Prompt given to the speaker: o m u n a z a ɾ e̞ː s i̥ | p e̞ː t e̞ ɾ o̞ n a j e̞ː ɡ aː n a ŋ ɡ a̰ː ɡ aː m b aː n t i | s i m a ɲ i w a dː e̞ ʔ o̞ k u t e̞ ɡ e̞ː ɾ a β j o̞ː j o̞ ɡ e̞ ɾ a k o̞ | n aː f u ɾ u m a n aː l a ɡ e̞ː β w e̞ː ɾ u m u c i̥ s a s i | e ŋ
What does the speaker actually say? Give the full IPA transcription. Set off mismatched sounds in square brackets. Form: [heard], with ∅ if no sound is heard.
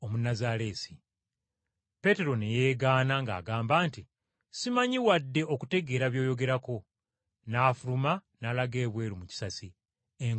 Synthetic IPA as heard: o m u n a z a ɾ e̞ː s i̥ | p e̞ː t e̞ ɾ o̞ n [e] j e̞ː ɡ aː n a ŋ ɡ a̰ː ɡ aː m b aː n t i | s i m a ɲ i w a dː e̞ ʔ o̞ k u t e̞ ɡ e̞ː ɾ a β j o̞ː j o̞ ɡ e̞ ɾ a k o̞ | n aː f u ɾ u m a n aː l a ɡ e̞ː β w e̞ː ɾ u m u c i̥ s a s i | e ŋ